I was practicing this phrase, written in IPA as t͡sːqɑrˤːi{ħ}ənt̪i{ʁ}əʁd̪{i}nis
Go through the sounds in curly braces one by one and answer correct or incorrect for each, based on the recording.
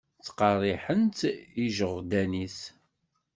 correct, incorrect: ʒ, incorrect: æ

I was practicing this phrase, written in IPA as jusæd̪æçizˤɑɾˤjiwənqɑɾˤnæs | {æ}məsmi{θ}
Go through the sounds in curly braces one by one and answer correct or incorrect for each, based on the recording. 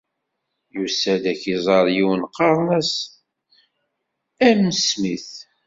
correct, correct

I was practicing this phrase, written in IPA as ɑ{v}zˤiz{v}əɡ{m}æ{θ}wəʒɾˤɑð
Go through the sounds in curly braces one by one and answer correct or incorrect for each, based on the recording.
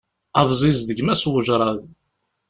correct, incorrect: ð, correct, incorrect: s

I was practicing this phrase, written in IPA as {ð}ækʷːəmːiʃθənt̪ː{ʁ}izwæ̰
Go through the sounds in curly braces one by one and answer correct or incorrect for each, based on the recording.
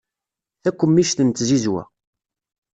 incorrect: θ, incorrect: z

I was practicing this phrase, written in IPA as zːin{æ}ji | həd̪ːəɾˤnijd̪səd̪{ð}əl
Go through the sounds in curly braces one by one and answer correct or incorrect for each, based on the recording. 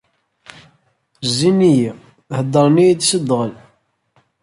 incorrect: i, incorrect: ʁ

